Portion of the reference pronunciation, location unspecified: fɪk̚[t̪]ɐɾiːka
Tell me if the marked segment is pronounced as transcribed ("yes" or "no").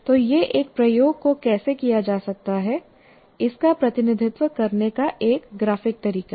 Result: yes